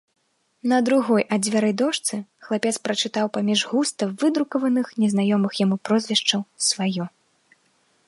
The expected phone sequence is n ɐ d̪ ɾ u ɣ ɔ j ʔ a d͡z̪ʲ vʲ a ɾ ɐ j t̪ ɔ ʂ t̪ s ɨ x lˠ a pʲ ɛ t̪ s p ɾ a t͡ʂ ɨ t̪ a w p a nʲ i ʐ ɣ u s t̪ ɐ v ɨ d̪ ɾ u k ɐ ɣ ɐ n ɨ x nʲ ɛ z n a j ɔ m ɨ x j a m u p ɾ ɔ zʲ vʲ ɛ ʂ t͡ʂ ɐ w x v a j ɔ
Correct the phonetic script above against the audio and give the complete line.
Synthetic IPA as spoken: n ɐ d̪ ɾ u ɣ ɔ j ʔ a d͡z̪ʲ vʲ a ɾ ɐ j d̪ ɔ ʂ t̪ s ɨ x lˠ a pʲ ɛ t̪ s p ɾ ɐ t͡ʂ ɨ t̪ a w p a mʲ i ʐ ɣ u s t̪ ɐ v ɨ d̪ ɾ u k ɐ v ɐ n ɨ x nʲ ɛ z n a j ɔ m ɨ x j a m u p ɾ ɔ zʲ vʲ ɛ ʂ t͡ʂ ɐ w s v a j ɔ